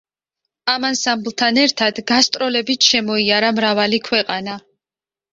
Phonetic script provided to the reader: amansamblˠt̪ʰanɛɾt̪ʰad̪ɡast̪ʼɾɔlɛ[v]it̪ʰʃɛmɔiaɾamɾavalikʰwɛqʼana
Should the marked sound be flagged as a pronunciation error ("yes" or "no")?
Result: yes